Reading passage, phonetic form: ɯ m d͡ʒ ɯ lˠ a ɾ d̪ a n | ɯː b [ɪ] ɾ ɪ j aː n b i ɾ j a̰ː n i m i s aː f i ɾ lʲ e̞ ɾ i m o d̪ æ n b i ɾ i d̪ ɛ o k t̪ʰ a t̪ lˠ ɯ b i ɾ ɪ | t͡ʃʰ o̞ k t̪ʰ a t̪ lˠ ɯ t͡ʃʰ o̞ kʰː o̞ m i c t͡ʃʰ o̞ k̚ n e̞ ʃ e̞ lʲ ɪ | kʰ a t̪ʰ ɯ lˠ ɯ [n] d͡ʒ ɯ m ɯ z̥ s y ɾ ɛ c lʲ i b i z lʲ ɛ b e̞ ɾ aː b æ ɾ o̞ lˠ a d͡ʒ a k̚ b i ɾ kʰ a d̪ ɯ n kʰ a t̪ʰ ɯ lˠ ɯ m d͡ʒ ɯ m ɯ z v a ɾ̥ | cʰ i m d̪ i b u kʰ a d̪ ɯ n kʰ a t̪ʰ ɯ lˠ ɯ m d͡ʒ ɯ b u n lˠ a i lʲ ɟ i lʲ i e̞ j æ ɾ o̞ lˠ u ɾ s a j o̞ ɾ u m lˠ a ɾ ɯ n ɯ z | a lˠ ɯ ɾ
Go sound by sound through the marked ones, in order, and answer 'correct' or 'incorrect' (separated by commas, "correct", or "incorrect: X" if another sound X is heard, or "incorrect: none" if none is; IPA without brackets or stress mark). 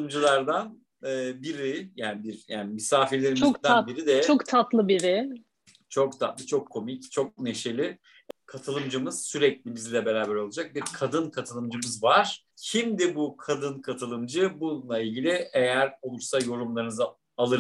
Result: incorrect: i, incorrect: m